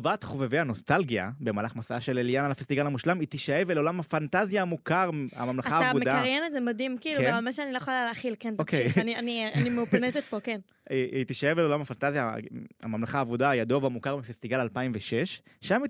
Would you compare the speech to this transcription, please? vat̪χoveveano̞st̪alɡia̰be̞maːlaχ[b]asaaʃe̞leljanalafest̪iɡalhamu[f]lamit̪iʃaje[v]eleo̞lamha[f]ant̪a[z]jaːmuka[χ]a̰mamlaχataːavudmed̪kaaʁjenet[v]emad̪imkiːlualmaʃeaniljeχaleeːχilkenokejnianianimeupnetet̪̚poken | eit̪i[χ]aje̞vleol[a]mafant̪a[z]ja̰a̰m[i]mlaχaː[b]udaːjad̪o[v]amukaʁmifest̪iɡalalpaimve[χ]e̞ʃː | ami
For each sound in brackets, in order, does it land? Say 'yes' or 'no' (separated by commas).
no, no, yes, yes, yes, no, no, no, yes, yes, no, no, yes, no